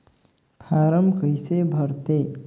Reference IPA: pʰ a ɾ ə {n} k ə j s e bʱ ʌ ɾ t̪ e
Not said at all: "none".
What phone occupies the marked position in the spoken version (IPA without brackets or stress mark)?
m